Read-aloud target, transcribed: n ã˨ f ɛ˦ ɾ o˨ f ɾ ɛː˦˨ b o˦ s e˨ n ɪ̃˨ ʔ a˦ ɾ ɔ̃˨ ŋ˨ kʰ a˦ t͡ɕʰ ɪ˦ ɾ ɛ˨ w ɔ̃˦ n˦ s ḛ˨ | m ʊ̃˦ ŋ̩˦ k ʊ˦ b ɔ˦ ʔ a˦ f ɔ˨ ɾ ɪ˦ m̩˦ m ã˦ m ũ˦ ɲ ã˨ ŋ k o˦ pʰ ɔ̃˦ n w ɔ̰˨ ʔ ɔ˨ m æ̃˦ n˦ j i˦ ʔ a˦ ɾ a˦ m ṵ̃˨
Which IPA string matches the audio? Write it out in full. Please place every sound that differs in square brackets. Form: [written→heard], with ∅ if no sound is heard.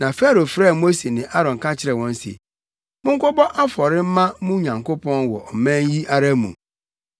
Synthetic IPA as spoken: n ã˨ f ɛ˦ ɾ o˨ f ɾ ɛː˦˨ [b→m] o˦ s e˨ n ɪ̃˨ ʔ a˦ ɾ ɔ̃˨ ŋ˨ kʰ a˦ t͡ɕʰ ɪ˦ ɾ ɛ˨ w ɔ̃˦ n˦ s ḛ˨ | m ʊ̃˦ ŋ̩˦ k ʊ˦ b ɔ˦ ʔ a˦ f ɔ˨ ɾ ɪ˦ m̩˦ m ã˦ m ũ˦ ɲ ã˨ ŋ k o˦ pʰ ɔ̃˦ n w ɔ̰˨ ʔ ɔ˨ m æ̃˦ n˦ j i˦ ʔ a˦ ɾ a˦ m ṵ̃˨